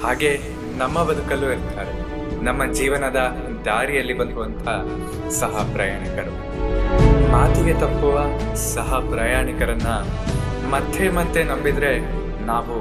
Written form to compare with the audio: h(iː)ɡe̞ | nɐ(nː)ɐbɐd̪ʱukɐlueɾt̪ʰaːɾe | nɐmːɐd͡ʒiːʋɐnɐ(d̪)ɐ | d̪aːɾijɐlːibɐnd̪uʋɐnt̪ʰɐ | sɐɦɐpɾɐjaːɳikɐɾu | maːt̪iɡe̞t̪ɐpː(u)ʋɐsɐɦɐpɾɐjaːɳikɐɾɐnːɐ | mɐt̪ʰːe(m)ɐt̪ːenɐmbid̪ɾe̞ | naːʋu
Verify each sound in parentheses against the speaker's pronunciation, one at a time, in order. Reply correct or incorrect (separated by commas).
incorrect, incorrect, correct, correct, correct